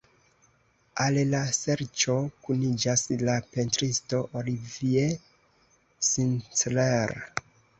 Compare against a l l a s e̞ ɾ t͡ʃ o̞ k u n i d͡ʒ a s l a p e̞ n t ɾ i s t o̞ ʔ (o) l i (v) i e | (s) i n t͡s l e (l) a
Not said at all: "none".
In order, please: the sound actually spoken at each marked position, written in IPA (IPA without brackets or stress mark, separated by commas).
o, v, s, ɾ